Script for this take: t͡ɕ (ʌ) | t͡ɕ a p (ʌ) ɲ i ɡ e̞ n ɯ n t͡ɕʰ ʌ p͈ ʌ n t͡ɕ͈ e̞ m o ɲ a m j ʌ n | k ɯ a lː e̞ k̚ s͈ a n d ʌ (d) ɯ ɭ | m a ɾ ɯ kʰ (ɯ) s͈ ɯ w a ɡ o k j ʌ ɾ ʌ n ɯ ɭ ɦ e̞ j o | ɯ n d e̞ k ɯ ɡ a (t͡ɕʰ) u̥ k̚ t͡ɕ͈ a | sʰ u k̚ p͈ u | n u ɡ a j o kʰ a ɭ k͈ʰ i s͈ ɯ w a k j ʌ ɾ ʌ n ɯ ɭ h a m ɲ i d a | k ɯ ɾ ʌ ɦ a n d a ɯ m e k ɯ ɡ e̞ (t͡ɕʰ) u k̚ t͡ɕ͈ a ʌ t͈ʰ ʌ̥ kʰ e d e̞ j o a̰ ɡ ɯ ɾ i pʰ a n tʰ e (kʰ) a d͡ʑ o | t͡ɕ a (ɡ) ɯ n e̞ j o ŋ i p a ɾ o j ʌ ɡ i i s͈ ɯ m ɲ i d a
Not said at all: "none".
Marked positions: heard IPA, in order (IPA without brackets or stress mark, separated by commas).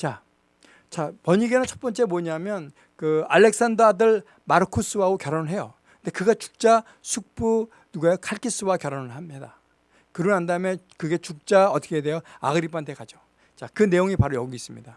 a, ʌ, d, u, t͡ɕ, t͡ɕ, k, k